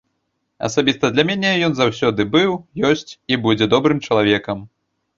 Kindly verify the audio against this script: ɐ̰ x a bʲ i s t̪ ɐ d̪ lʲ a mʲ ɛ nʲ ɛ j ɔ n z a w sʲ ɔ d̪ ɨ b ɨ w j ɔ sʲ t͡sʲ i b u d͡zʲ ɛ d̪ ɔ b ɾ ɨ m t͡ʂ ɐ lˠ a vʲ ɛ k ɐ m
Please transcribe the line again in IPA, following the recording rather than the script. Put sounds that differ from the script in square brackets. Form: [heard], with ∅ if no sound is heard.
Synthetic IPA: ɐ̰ [s] a bʲ i s t̪ ɐ d̪ lʲ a mʲ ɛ nʲ ɛ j ɔ n z a w sʲ ɔ d̪ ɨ b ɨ w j ɔ sʲ t͡sʲ i b u d͡zʲ ɛ d̪ ɔ b ɾ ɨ m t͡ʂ ɐ lˠ a vʲ ɛ k ɐ m